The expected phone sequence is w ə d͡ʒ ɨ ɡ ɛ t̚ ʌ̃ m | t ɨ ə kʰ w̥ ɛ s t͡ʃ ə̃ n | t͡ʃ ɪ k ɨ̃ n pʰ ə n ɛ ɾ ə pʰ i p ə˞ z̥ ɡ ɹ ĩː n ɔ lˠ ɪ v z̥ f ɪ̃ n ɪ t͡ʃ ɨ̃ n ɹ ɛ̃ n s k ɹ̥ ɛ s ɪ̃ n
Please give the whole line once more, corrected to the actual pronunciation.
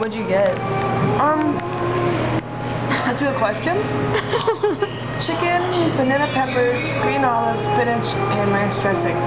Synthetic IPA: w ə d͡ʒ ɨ ɡ ɛ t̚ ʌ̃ m | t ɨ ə kʰ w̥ ɛ s t͡ʃ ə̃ n | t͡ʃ ɪ k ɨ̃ n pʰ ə n ɛ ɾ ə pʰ ɛ p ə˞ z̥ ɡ ɹ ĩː n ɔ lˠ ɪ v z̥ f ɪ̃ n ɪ t͡ʃ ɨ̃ n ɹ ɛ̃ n s t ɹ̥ ɛ s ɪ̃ ŋ